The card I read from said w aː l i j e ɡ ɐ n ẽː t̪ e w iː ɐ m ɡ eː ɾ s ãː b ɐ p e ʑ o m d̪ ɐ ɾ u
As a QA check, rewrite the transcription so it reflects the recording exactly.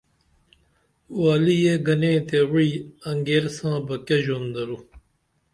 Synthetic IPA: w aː l i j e ɡ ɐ n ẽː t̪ e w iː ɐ ŋ ɡ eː ɾ s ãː b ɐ k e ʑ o n d̪ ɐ ɾ u